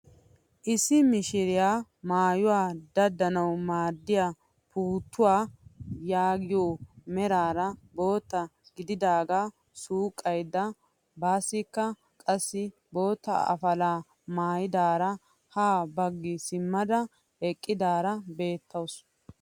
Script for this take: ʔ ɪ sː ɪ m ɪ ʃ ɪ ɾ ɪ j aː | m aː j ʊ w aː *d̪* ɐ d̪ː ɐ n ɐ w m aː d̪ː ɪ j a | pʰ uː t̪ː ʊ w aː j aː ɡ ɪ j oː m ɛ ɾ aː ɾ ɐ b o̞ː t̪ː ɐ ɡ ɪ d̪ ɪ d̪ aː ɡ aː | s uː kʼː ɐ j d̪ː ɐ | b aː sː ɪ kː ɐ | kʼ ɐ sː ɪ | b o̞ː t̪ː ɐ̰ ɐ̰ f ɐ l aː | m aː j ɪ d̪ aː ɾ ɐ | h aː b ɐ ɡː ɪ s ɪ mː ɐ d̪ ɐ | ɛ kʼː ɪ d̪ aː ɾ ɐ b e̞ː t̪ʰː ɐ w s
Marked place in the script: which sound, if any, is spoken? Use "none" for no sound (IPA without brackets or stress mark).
d̪